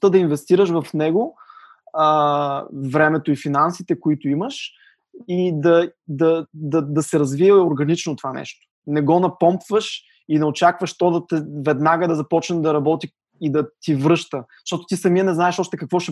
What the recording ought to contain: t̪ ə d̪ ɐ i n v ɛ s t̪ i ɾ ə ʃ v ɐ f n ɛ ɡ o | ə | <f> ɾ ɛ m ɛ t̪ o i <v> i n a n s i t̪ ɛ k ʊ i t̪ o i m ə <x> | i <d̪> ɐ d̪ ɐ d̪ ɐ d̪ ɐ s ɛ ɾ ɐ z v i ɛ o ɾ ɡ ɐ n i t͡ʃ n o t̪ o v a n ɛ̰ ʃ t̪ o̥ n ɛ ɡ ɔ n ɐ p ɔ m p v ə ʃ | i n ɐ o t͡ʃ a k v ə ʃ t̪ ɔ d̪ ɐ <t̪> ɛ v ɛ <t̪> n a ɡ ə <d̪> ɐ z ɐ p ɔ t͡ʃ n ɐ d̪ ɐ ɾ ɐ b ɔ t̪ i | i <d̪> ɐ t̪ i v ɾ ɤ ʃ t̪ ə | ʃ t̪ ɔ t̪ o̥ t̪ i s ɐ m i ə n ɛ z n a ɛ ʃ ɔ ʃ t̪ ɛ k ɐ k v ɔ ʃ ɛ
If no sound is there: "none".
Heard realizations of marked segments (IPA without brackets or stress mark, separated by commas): v, f, ʃ, d̪, t̪, d̪, d̪, d̪